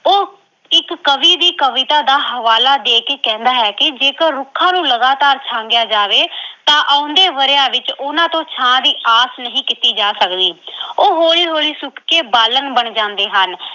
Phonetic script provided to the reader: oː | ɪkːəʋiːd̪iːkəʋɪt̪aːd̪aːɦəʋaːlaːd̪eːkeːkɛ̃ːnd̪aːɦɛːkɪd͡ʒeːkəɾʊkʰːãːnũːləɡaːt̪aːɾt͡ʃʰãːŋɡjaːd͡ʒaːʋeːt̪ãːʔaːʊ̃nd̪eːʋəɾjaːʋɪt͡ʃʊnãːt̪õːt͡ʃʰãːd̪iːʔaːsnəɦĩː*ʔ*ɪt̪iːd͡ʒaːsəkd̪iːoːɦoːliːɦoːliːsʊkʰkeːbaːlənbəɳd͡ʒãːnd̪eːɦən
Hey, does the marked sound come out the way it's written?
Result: no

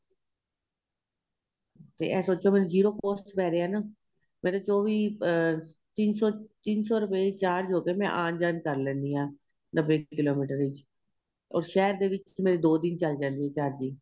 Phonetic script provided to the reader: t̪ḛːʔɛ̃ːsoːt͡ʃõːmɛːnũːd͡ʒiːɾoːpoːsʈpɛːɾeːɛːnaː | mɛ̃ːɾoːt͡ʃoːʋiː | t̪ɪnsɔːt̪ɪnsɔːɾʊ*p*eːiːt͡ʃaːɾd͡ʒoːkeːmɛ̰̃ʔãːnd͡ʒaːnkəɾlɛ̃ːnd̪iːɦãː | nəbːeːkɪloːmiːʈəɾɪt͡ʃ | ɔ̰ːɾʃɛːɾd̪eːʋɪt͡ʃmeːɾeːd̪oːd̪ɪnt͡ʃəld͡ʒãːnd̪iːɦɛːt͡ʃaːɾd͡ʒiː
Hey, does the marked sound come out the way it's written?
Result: yes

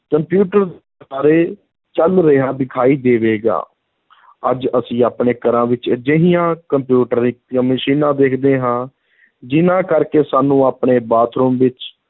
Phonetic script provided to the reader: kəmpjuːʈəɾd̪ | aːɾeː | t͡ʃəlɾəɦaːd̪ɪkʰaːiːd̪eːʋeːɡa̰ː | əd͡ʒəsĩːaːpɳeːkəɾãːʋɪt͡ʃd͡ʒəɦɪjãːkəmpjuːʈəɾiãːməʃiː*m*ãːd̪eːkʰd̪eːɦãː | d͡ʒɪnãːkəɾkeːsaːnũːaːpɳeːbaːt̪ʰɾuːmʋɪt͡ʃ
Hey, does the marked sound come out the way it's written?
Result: no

